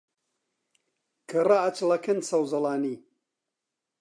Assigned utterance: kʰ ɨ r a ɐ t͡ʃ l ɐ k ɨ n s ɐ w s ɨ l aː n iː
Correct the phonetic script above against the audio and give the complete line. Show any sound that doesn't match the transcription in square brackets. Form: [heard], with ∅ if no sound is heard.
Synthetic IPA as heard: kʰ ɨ r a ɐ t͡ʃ l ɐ k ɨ n s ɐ w [z] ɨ l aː n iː